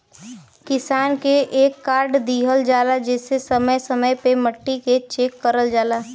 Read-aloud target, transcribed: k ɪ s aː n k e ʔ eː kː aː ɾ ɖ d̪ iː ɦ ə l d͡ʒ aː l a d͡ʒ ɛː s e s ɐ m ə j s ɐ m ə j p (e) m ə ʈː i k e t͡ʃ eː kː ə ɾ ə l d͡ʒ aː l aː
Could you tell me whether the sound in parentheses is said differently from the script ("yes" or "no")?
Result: no